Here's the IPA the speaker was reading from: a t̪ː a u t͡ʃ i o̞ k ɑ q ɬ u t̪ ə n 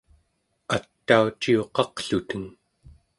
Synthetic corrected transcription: a t̪ː a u t͡ʃ i o̞ q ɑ q ɬ u t̪ ə ŋ